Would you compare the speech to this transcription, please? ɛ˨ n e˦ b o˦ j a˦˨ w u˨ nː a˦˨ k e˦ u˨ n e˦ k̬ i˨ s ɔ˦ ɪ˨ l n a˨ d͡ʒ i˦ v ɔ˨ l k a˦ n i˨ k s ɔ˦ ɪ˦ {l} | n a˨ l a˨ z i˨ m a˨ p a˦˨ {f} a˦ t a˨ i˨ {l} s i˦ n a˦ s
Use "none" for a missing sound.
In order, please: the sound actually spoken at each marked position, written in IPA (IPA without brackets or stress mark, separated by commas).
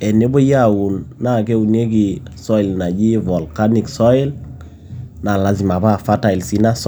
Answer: l, f, l